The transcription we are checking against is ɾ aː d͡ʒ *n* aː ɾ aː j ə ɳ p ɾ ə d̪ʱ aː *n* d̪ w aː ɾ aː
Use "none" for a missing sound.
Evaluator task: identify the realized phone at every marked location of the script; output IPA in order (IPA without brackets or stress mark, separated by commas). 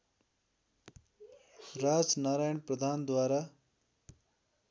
n, n